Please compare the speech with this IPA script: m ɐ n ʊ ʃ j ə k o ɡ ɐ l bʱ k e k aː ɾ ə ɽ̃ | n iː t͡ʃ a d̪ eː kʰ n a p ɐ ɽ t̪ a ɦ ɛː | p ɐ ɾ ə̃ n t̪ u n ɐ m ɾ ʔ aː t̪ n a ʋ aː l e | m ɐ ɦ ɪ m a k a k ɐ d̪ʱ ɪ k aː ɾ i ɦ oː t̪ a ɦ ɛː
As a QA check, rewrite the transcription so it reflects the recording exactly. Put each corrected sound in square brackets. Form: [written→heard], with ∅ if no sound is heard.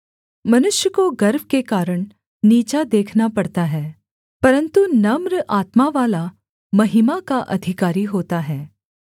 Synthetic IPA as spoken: m ɐ n ʊ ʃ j ə k o ɡ ɐ [l→ɾ] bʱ k e k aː ɾ ə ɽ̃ | n iː t͡ʃ a d̪ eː kʰ n a p ɐ ɽ t̪ a ɦ ɛː | p ɐ ɾ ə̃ n t̪ u n ɐ m ɾ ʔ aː t̪ [n→m] a ʋ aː l [e→a] | m ɐ ɦ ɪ m a k a [k→ʔ] ɐ d̪ʱ ɪ k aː ɾ i ɦ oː t̪ a ɦ ɛː

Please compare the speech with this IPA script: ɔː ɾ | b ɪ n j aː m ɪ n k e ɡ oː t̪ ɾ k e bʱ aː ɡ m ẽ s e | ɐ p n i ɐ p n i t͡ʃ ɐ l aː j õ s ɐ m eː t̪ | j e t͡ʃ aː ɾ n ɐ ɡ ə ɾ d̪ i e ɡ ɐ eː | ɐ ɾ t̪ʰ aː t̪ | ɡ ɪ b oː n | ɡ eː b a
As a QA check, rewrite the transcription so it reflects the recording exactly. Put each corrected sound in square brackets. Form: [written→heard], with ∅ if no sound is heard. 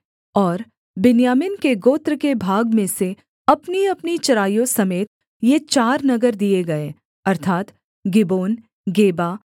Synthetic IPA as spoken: ɔː ɾ | b ɪ n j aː m ɪ n k e ɡ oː t̪ ɾ k e bʱ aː ɡ m ẽ s e | ɐ p n i ɐ p n i t͡ʃ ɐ [l→ɾ] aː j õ s ɐ m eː t̪ | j e t͡ʃ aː ɾ n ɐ ɡ ə ɾ d̪ i e ɡ ɐ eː | ɐ ɾ t̪ʰ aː t̪ | ɡ ɪ b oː n | ɡ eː b a

